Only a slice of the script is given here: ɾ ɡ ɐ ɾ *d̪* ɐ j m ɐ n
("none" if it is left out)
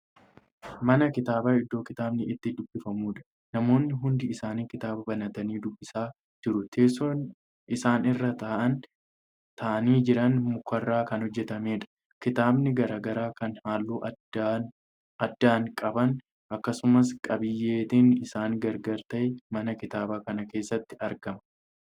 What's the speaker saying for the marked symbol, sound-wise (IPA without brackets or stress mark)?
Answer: t̪